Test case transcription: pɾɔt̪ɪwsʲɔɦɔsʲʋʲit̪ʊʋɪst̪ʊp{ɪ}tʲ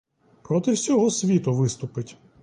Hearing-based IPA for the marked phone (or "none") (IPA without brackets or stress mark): ɪ